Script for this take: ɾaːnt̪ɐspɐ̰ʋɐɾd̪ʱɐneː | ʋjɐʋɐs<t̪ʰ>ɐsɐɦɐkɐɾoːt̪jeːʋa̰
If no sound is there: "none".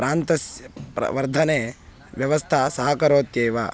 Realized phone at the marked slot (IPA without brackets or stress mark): t̪ʰ